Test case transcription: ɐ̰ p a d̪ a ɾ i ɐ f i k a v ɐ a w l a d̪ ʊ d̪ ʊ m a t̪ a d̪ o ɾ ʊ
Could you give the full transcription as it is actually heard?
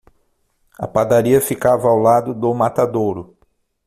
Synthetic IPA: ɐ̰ p a d̪ a ɾ i ɐ f i k a v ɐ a w l a d̪ ʊ d̪ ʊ m a t̪ a d̪ o ɾ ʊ